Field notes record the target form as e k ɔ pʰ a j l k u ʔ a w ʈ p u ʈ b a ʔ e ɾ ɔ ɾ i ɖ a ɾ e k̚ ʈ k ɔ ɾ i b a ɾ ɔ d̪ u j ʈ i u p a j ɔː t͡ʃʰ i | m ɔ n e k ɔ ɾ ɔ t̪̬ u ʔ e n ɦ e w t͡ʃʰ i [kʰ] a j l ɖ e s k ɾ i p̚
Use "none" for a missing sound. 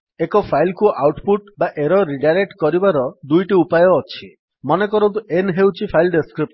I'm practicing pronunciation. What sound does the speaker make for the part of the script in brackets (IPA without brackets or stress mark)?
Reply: pʰ